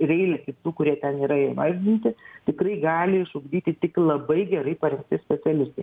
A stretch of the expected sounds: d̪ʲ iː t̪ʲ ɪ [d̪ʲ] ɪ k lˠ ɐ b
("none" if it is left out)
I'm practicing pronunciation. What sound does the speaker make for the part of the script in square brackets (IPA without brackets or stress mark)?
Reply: t̪ʲ